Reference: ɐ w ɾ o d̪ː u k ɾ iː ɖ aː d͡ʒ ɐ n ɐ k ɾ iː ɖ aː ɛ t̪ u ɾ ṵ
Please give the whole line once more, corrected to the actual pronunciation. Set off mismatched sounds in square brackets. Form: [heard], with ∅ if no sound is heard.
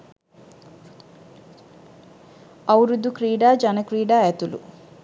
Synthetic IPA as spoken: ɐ w ɾ [u] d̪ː u k ɾ iː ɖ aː d͡ʒ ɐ n ɐ k ɾ iː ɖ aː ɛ t̪ u [l] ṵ